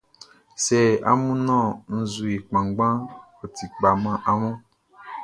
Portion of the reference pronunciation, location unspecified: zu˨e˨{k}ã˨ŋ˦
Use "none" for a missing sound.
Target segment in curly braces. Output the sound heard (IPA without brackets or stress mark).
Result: k͡p